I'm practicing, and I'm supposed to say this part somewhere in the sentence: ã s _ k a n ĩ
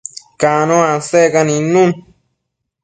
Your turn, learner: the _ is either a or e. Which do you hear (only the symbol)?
e